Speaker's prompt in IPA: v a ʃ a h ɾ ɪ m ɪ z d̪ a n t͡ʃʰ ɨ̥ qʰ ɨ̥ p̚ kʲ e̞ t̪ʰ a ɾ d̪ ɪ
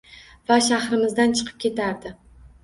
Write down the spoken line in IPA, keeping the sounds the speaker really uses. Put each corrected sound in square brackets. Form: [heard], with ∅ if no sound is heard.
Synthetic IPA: v a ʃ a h ɾ ɪ m ɪ z d̪ a n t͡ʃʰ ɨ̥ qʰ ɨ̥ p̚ kʲ e̞ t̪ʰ a ɾ d̪ ɪ